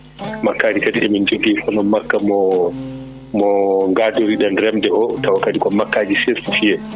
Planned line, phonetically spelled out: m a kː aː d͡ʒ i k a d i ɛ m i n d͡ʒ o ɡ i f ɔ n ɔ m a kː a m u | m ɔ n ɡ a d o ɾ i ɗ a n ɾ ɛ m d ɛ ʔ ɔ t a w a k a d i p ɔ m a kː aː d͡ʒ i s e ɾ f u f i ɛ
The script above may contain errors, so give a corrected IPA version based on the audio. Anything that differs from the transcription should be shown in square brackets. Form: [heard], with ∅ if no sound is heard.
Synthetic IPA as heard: m a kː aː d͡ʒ i k a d i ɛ m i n d͡ʒ o ɡ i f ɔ n ɔ m a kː a m [ɔ] | m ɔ [ŋ] ɡ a d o ɾ i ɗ a n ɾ ɛ m d ɛ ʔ ɔ t a w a k a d i [k] ɔ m a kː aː d͡ʒ i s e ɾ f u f i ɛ